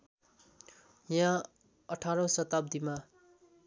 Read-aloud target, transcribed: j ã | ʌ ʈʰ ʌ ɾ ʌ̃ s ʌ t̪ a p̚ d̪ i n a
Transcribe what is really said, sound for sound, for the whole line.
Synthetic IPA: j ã | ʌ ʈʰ a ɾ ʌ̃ s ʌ t̪ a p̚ d̪ i m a